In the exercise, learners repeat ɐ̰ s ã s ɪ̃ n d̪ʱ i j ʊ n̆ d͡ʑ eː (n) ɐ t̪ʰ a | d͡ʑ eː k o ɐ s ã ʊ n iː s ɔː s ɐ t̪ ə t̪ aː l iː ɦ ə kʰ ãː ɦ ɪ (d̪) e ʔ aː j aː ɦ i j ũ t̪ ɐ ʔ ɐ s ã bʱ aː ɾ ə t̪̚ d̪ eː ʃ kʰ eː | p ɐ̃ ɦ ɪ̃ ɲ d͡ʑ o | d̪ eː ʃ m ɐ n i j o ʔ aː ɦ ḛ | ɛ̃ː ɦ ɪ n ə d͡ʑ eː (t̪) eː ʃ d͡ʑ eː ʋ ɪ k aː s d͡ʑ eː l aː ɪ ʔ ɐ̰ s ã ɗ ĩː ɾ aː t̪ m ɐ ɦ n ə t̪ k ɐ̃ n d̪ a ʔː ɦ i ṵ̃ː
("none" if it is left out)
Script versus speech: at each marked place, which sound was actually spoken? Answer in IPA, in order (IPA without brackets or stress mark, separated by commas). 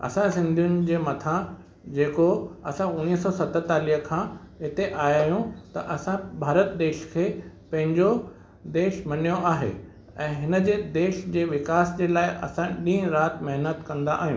m, t̪, d̪